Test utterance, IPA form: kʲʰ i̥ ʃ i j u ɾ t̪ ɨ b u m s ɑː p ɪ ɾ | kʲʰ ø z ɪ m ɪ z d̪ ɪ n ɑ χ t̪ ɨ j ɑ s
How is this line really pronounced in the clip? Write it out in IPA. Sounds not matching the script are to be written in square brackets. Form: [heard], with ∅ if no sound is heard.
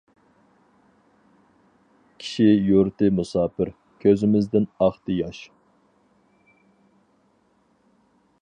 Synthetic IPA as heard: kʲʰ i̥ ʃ i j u ɾ t̪ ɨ [m] u [∅] s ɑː p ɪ ɾ | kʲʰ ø z ɪ m ɪ z d̪ ɪ n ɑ χ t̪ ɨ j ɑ [ʃ]